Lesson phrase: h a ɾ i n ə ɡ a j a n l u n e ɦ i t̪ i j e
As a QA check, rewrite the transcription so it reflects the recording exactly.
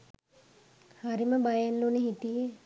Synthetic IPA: h a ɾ i m ə b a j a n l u n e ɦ i t̪ i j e